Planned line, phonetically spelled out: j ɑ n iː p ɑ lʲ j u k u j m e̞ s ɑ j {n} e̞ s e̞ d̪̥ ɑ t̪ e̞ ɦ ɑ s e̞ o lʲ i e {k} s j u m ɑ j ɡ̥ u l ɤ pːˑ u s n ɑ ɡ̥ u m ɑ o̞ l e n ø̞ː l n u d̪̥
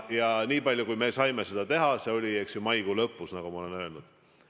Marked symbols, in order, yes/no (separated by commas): no, yes